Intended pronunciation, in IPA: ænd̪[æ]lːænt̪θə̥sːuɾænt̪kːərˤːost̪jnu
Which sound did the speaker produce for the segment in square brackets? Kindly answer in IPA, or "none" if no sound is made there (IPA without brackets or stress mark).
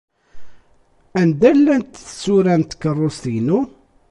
æ